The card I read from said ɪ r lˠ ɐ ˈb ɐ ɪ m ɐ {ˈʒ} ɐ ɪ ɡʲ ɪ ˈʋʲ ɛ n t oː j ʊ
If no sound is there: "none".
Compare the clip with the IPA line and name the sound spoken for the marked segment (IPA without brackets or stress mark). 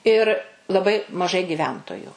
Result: ʒ